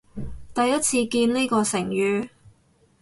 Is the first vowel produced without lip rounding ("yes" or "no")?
yes